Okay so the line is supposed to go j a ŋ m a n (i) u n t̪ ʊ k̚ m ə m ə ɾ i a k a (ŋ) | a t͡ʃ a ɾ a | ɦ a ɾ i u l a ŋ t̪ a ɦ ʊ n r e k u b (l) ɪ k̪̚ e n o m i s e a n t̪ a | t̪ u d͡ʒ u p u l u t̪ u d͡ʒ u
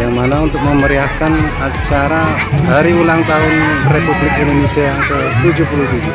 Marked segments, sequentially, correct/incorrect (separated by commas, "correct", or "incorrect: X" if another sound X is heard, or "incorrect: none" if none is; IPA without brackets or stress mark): incorrect: a, incorrect: n, correct